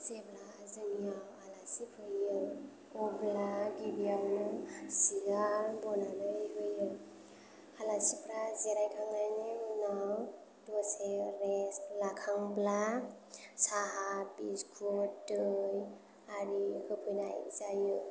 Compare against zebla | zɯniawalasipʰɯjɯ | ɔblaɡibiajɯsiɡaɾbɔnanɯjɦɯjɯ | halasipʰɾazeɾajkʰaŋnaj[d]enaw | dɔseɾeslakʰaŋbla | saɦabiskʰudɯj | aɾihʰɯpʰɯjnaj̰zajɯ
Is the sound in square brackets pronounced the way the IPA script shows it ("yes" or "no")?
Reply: no